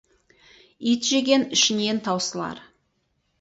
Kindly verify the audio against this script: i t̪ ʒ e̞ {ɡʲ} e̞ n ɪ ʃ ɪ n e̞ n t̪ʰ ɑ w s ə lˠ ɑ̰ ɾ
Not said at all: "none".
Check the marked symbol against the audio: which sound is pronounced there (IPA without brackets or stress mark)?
ɡʲ